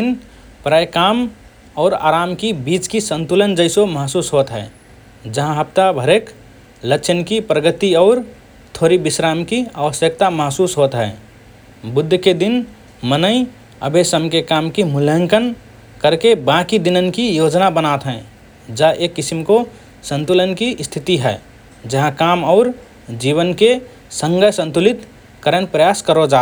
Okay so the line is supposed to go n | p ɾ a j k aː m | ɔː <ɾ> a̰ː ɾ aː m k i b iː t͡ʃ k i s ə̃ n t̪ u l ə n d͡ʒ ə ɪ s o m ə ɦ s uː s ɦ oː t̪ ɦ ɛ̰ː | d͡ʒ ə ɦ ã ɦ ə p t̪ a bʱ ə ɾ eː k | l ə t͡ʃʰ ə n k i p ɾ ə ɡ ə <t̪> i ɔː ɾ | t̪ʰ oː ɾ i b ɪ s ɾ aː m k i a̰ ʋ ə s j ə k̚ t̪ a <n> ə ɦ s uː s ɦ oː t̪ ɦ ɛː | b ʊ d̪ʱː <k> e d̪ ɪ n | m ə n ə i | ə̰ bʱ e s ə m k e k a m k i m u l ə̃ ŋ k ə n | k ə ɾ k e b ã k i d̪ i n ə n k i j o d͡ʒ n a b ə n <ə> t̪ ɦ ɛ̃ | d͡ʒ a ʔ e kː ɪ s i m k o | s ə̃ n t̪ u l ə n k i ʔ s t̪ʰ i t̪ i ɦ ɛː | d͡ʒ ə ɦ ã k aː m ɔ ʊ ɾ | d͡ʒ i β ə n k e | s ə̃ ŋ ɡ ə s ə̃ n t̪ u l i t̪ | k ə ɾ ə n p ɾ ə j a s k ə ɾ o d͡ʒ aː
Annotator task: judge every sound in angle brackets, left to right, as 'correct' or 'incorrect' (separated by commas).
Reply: correct, correct, incorrect, correct, incorrect